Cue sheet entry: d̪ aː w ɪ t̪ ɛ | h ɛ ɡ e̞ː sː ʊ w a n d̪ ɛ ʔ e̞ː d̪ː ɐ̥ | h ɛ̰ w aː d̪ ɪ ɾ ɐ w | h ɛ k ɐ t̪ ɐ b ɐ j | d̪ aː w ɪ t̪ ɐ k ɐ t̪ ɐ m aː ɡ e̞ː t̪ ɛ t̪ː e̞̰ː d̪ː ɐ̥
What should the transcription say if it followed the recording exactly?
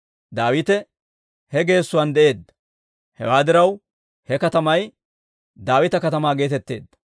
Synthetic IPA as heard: d̪ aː w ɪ t̪ ɛ | h ɛ ɡ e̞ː sː ʊ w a n d̪ ɛ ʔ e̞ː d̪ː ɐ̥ | h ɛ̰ w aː d̪ ɪ ɾ ɐ w | h ɛ k ɐ t̪ ɐ m ɐ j | d̪ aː w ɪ t̪ ɐ k ɐ t̪ ɐ m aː ɡ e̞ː t̪ ɛ t̪ː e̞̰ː d̪ː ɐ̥